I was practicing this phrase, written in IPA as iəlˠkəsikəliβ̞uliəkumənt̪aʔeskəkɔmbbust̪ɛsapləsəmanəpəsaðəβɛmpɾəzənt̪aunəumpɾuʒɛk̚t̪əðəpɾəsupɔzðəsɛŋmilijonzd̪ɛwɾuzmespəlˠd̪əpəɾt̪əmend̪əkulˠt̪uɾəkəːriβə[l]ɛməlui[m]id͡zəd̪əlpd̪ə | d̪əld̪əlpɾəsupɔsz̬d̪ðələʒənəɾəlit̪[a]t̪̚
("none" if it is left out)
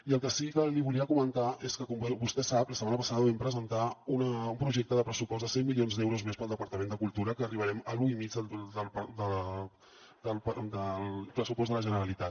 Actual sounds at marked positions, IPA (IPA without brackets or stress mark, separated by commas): ɾ, m, a